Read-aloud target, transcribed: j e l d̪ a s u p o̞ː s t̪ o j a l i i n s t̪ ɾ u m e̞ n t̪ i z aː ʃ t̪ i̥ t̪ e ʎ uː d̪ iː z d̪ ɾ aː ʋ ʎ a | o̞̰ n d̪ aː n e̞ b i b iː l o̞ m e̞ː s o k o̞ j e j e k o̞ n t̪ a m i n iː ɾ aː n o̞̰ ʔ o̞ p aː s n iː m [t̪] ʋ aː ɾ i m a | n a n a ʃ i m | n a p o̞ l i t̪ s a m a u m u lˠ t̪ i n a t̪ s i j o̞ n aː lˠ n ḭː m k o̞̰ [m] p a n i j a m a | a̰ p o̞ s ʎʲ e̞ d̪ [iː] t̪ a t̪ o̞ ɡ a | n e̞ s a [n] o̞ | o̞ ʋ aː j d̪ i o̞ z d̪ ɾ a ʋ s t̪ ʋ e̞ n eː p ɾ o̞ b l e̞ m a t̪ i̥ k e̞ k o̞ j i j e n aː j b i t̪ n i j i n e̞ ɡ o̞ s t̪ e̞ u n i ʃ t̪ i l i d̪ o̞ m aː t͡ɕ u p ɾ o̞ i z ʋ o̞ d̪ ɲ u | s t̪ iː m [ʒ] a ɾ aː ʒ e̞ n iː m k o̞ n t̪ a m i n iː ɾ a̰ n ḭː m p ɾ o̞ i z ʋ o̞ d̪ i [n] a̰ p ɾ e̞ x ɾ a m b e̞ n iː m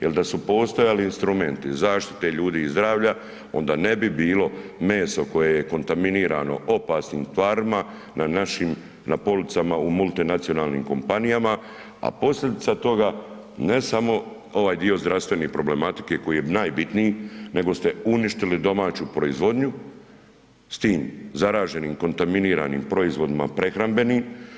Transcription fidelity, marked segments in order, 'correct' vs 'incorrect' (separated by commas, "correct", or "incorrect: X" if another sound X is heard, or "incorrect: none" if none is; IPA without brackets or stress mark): correct, correct, incorrect: i, incorrect: m, incorrect: z, incorrect: m